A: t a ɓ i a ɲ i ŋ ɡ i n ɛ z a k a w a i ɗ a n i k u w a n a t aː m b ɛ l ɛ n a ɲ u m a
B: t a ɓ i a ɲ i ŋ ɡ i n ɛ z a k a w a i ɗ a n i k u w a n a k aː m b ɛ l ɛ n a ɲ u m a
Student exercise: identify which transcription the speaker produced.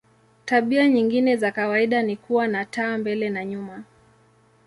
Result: A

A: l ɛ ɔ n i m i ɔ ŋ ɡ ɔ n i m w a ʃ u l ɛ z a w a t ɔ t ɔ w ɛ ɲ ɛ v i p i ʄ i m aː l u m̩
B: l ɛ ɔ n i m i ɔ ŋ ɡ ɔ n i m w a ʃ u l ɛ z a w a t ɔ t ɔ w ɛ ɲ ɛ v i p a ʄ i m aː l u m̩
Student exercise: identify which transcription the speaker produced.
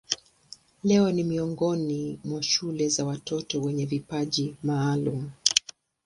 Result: B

